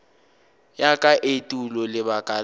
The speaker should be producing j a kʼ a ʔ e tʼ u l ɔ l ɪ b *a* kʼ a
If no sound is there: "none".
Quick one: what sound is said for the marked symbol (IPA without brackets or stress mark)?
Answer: a